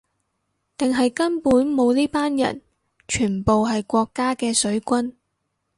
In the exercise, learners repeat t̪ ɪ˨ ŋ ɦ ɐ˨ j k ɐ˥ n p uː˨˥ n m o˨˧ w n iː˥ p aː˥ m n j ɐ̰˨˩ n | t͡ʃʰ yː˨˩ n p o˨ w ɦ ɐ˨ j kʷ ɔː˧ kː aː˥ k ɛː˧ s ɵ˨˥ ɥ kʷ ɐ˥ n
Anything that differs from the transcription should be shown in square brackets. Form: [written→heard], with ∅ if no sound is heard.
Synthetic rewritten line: t̪ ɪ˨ ŋ ɦ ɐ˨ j k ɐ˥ n p uː˨˥ n m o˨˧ w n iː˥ p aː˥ [m→∅] n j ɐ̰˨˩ n | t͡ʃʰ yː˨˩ n p o˨ w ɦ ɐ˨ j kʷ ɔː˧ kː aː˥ k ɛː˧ s ɵ˨˥ ɥ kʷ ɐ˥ n